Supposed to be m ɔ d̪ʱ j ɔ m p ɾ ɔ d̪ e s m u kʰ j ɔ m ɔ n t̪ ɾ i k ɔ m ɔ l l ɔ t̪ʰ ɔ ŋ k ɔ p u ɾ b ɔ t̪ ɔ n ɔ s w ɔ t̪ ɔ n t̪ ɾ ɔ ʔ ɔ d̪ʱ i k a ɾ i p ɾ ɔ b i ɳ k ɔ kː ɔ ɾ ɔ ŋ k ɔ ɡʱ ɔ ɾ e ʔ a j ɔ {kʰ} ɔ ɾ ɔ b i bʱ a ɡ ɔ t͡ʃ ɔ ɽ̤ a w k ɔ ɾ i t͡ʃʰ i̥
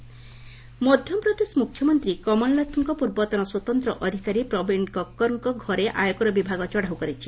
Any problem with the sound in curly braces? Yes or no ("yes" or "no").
yes